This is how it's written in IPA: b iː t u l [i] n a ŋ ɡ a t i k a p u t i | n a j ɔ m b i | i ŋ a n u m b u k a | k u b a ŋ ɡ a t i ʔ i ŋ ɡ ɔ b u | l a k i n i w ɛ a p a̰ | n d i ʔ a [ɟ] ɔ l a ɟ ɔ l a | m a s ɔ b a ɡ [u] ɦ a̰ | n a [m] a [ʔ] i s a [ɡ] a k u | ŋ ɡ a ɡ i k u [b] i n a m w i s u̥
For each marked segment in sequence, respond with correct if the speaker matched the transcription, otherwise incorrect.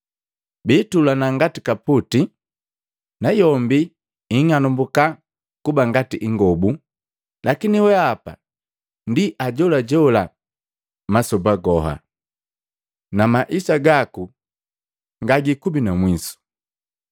incorrect: a, correct, incorrect: ɔ, correct, correct, correct, correct

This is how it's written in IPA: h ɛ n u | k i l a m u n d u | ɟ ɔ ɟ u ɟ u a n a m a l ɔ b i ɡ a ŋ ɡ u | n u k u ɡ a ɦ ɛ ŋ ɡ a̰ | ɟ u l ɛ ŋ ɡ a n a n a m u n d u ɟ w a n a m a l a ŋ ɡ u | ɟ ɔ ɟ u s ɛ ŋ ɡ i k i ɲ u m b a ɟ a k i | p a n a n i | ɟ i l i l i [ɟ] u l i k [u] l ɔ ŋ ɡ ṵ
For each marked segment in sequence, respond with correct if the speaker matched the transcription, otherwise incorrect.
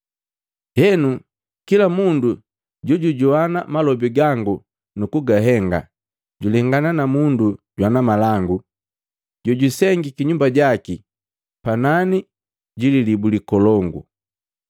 incorrect: b, incorrect: ɔ

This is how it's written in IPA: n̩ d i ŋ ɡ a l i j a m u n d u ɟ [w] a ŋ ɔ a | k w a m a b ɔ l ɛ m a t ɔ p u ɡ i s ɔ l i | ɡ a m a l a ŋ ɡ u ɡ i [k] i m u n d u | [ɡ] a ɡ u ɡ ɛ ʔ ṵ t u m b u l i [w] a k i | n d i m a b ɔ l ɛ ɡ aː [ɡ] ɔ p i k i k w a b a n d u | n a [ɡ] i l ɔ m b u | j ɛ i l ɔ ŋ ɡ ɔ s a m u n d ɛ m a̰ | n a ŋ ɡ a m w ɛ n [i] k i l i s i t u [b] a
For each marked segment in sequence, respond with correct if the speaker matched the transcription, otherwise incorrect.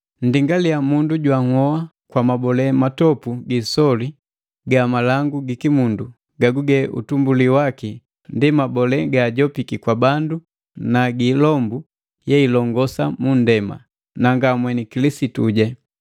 correct, correct, correct, correct, incorrect: ɟ, correct, correct, incorrect: ɟ

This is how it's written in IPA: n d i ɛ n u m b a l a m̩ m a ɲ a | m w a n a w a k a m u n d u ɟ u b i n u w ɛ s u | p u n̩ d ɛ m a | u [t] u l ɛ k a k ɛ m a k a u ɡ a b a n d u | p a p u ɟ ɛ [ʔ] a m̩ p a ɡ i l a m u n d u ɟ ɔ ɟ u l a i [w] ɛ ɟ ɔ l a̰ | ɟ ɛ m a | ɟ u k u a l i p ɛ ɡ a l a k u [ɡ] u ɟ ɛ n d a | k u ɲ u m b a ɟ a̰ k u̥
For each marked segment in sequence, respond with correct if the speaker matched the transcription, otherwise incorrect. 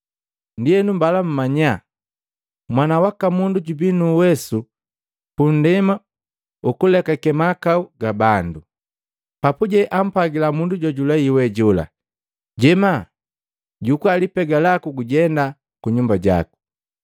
incorrect: k, correct, correct, correct

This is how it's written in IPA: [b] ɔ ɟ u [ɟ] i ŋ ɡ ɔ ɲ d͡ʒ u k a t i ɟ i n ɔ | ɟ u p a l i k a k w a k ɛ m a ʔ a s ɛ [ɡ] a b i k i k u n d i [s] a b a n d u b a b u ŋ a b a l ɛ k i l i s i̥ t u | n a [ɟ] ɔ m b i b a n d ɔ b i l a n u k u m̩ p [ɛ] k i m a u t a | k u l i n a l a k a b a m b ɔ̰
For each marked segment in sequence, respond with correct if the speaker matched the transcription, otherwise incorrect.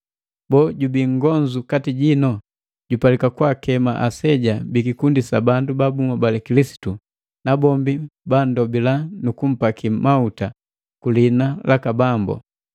correct, incorrect: b, incorrect: ɟ, correct, incorrect: b, incorrect: a

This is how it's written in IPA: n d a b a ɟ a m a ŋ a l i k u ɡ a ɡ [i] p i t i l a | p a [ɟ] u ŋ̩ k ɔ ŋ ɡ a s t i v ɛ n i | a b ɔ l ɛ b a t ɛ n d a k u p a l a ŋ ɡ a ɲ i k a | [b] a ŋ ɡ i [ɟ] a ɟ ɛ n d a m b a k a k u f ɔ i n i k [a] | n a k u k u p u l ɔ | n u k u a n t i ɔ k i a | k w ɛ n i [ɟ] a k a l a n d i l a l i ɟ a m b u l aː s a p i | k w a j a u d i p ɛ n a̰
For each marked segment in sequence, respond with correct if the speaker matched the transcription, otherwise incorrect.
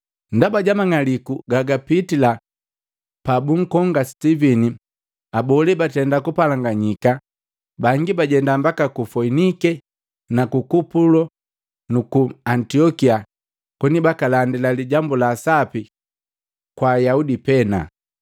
incorrect: a, incorrect: b, correct, incorrect: b, incorrect: ɛ, incorrect: b

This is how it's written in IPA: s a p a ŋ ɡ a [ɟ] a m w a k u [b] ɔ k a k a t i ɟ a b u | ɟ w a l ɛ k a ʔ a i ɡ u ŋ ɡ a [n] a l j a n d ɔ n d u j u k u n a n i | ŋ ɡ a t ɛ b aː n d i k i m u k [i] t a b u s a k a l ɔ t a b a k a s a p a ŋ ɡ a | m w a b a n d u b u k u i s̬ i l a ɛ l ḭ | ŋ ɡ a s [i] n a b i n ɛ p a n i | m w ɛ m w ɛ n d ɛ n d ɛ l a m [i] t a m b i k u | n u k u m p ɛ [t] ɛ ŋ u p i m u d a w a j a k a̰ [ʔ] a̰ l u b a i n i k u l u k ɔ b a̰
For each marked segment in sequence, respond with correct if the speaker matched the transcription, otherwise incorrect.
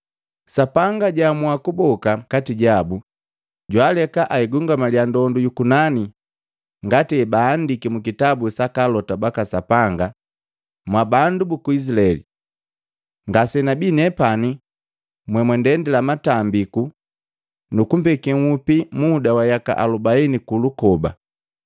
correct, correct, incorrect: m, correct, incorrect: ɛ, incorrect: a, incorrect: k, correct

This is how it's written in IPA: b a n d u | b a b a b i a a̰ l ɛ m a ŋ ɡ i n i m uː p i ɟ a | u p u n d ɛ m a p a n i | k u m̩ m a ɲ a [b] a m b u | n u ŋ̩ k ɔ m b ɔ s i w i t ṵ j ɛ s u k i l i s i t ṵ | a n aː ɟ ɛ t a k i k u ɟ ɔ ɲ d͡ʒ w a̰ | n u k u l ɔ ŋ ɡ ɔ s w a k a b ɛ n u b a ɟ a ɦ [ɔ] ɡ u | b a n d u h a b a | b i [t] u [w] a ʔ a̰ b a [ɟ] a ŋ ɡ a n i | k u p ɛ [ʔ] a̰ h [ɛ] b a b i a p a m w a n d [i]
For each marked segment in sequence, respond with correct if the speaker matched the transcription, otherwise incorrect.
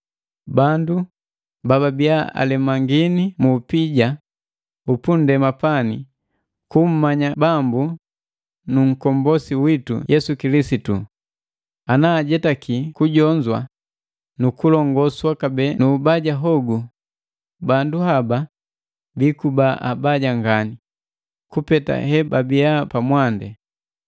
correct, correct, incorrect: k, incorrect: b, correct, incorrect: t, correct, incorrect: ɛ

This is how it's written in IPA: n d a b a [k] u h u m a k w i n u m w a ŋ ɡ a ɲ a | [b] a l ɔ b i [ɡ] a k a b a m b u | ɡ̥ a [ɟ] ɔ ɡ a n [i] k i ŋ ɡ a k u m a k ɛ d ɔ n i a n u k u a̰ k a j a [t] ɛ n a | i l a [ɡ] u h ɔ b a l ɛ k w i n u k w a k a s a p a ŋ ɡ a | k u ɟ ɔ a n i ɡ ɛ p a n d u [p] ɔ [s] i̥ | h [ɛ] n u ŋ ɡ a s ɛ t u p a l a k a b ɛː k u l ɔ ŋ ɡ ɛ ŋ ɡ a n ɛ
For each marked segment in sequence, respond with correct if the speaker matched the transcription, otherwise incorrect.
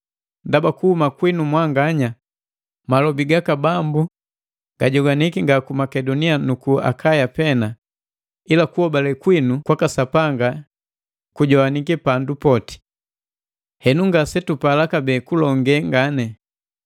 correct, incorrect: m, correct, correct, correct, incorrect: p, incorrect: k, correct, incorrect: t, correct

